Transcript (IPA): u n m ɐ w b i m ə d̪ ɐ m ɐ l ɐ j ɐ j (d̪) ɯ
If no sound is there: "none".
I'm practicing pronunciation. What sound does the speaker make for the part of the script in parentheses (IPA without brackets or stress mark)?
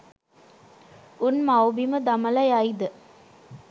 d̪